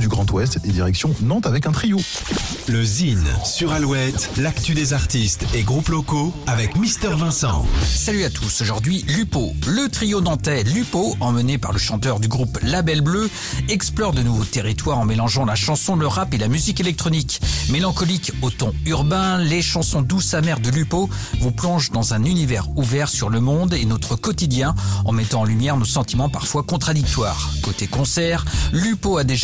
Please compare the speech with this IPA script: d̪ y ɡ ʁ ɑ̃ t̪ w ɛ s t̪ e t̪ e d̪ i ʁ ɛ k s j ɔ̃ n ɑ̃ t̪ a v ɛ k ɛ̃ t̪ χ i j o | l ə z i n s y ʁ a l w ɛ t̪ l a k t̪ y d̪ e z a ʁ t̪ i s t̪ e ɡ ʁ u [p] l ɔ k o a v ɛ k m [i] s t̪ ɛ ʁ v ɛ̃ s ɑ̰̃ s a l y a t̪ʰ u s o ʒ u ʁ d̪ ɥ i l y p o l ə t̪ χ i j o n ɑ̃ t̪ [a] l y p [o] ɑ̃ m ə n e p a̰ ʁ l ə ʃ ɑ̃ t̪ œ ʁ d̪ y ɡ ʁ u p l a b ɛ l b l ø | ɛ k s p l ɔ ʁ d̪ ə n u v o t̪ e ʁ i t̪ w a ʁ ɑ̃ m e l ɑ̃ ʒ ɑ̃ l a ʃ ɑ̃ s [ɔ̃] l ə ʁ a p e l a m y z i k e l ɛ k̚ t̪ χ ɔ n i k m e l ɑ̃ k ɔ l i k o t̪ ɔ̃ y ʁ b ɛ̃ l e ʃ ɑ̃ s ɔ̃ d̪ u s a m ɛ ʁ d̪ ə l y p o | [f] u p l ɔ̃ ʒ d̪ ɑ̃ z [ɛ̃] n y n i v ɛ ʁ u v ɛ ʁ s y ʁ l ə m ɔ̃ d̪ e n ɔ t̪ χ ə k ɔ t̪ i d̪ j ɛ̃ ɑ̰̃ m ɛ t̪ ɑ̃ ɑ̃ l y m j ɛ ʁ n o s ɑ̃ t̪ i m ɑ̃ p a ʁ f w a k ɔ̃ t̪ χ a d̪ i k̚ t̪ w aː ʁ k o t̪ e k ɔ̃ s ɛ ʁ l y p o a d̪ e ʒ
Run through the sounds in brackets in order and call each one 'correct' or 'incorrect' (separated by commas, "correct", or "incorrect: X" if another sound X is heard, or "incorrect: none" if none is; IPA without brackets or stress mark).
correct, correct, incorrect: ɛ, correct, correct, incorrect: v, correct